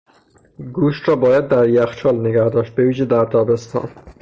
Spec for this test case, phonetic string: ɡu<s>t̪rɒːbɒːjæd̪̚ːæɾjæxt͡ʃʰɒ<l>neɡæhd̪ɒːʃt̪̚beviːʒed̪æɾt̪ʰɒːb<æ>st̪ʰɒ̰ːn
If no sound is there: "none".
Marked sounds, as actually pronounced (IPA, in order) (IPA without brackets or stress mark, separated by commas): ʃ, l, e